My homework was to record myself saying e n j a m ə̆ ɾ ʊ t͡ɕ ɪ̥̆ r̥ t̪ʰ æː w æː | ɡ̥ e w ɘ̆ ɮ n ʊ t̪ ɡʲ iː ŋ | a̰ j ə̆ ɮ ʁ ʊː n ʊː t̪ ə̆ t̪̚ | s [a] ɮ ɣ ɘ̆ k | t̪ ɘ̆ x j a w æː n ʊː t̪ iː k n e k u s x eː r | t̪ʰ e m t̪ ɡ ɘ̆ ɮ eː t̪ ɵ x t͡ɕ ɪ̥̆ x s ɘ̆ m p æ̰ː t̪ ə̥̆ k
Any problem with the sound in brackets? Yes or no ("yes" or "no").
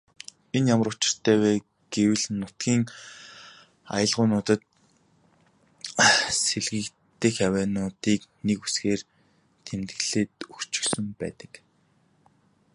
yes